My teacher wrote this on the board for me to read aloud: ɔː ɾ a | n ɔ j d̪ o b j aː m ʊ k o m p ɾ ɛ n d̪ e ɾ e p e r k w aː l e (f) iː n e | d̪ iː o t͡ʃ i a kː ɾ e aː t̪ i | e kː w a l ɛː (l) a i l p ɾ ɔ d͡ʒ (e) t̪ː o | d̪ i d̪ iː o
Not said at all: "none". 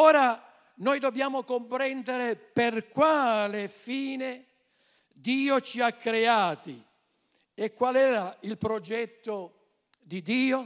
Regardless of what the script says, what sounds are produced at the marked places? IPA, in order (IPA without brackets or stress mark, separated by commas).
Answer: f, ɾ, ɛ